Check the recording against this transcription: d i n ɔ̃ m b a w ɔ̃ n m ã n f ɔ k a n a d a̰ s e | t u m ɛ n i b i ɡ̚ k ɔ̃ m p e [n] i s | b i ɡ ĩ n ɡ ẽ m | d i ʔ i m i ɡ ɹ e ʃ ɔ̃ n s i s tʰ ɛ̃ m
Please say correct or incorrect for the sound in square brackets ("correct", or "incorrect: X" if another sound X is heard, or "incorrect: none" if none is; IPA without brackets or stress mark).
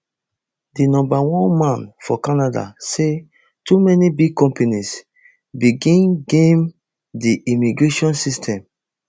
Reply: correct